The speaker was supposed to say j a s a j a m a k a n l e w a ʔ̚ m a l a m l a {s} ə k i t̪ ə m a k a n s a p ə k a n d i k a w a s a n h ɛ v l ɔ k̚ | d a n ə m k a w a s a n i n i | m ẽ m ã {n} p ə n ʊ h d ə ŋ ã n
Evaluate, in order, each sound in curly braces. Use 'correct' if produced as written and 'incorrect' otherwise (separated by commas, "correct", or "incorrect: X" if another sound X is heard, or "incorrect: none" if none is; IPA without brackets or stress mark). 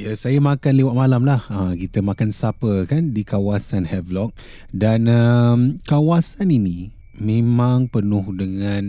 incorrect: h, incorrect: ŋ